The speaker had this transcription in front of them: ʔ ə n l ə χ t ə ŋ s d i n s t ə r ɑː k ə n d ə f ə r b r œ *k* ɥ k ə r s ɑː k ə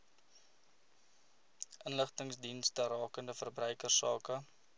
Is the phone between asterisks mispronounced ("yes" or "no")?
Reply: yes